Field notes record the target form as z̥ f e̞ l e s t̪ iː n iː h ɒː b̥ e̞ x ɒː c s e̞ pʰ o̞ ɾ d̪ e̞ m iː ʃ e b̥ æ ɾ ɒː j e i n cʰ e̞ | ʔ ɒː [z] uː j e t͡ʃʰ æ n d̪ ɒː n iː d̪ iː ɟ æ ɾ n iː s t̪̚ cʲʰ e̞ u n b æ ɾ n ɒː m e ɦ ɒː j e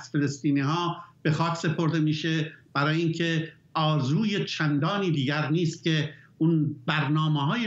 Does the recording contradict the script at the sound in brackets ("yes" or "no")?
no